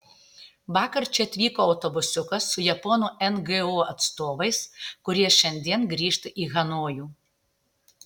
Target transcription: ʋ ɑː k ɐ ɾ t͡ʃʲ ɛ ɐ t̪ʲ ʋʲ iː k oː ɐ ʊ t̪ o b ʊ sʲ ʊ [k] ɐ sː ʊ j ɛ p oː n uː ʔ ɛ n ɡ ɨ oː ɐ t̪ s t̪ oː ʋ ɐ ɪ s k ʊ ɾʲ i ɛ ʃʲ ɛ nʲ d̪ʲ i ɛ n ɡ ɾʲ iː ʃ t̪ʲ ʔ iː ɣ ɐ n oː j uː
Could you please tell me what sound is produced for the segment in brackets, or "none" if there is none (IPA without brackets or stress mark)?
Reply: k